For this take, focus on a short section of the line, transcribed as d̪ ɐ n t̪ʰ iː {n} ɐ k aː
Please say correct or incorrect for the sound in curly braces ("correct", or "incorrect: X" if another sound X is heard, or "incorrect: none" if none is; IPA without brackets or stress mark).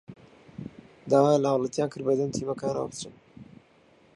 incorrect: m